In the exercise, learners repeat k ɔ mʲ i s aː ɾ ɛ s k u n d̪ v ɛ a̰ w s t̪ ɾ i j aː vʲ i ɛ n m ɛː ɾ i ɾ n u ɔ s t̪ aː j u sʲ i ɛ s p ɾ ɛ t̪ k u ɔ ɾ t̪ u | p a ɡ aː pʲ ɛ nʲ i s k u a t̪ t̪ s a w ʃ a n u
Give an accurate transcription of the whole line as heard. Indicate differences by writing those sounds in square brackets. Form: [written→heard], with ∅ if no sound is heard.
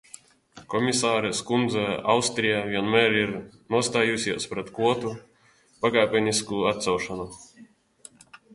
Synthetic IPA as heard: k ɔ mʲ i s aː ɾ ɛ s k u n d̪ [v→z] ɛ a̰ w s t̪ ɾ i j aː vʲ i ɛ n m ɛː ɾ i ɾ n u ɔ s t̪ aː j u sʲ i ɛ s p ɾ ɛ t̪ k u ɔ [ɾ→∅] t̪ u | p a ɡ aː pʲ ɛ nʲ i s k u a t̪ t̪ s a w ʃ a n u